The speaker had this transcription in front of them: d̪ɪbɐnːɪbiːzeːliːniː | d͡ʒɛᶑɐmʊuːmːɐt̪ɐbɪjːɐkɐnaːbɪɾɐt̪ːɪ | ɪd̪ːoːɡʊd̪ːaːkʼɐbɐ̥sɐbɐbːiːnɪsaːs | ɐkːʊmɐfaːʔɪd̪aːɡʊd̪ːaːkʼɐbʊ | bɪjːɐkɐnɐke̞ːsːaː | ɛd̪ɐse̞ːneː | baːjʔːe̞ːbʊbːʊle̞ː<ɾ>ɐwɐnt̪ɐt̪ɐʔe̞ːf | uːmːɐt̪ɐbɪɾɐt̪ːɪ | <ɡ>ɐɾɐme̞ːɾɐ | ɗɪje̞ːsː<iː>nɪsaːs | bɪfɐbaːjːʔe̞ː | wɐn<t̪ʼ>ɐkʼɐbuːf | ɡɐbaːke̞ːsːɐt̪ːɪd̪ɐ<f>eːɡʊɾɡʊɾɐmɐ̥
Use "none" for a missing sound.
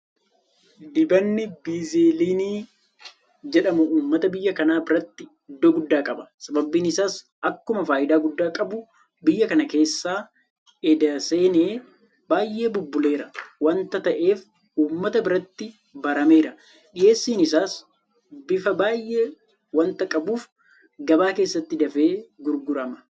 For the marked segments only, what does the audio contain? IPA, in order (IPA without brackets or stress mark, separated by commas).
ɾ, b, iː, t̪, f